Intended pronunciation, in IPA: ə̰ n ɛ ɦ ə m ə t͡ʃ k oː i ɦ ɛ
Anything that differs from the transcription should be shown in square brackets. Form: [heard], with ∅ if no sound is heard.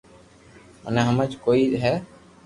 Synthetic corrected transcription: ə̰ n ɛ ɦ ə m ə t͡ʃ k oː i ɦ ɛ